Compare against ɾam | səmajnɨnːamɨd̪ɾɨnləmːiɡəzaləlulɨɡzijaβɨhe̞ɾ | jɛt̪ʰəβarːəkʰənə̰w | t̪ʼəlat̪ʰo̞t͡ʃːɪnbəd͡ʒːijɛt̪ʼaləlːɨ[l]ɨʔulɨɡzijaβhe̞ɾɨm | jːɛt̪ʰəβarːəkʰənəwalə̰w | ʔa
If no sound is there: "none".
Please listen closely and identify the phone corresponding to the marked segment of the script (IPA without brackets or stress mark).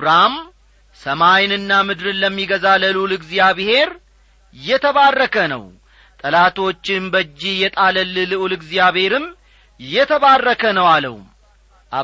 l